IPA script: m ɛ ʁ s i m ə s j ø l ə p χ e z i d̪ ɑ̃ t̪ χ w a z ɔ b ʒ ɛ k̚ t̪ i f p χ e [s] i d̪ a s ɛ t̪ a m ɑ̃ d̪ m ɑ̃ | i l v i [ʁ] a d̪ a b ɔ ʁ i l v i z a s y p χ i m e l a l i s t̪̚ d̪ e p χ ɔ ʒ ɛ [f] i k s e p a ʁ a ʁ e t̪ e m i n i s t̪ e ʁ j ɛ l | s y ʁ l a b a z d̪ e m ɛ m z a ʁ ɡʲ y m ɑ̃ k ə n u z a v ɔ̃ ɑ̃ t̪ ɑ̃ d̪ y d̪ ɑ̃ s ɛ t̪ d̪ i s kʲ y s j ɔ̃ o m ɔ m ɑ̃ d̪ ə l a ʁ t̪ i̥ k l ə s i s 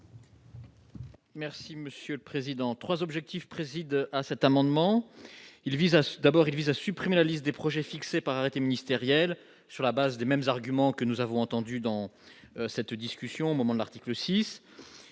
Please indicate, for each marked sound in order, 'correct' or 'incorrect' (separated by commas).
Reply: incorrect, incorrect, correct